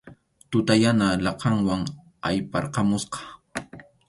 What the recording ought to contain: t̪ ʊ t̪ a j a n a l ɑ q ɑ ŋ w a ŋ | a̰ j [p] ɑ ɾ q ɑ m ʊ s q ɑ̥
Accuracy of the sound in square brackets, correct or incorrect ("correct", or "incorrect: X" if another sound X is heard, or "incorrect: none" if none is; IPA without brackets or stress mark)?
correct